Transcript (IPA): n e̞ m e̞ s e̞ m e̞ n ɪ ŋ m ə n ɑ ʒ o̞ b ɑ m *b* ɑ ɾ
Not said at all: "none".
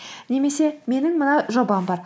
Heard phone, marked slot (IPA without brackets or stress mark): b